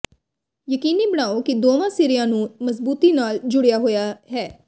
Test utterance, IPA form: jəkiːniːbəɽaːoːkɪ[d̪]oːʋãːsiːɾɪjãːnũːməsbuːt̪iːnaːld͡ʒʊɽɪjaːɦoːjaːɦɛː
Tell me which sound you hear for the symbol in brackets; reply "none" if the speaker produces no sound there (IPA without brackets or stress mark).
d̪